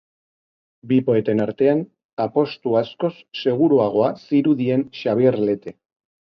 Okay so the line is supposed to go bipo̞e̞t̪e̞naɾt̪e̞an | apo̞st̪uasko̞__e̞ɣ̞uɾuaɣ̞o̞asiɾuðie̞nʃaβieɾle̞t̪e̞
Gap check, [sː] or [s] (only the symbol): sː